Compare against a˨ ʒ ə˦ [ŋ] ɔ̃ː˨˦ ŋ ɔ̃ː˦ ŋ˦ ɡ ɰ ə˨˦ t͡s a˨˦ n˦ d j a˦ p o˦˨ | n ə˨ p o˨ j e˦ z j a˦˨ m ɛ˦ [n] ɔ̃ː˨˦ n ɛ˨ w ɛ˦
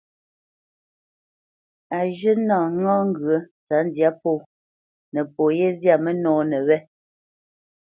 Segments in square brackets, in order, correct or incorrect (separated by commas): incorrect, correct